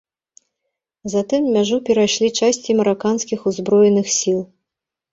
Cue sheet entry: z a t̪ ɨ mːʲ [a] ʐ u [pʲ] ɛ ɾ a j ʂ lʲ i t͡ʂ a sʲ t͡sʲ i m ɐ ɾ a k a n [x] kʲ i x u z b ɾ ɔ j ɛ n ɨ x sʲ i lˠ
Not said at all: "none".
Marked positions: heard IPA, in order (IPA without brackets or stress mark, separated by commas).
a, pʲ, s